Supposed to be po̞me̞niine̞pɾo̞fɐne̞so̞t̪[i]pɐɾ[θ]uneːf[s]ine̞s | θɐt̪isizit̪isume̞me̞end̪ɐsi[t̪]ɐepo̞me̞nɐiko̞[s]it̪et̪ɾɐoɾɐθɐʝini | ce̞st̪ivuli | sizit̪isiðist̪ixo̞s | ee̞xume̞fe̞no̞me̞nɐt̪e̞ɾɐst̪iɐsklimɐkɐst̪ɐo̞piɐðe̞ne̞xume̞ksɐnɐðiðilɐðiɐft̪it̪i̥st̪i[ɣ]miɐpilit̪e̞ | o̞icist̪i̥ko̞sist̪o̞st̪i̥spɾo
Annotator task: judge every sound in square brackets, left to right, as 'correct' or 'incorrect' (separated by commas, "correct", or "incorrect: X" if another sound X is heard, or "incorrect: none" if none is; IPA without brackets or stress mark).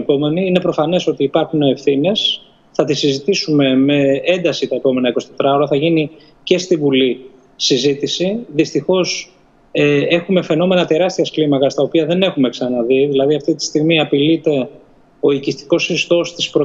incorrect: iː, incorrect: x, incorrect: θ, correct, correct, correct